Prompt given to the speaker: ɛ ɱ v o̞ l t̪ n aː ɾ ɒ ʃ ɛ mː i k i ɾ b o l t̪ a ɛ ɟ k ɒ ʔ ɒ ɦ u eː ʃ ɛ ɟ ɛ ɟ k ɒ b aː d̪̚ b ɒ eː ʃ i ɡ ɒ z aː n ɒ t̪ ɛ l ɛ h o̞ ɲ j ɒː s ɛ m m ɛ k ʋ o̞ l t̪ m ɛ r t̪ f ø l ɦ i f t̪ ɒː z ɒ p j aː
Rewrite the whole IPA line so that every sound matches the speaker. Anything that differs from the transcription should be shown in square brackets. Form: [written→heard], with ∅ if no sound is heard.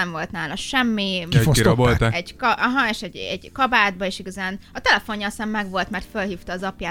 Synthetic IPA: ɛ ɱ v o̞ l t̪ n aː [ɾ→l] ɒ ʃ ɛ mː i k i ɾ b o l t̪ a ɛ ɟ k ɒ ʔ ɒ ɦ [u→ɒ] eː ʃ ɛ ɟ ɛ ɟ k ɒ b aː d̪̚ b ɒ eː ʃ i ɡ ɒ z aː n ɒ t̪ ɛ l ɛ [h→f] o̞ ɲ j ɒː s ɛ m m ɛ [k→ɡ] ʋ o̞ l t̪ m ɛ r t̪ f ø l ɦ [i→iː] f t̪ ɒː z ɒ p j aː